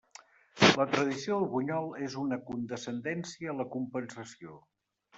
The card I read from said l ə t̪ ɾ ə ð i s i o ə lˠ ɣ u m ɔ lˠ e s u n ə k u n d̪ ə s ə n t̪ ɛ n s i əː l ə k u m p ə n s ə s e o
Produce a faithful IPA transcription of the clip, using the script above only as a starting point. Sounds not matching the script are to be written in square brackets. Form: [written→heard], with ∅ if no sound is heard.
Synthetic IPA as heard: l ə t̪ ɾ ə ð i s i o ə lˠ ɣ u [m→ɲ] ɔ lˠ e [s→z] u n ə k u n d̪ ə s ə n [t̪→d̪] ɛ n s i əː l ə k u m p ə n s ə s [e→i] o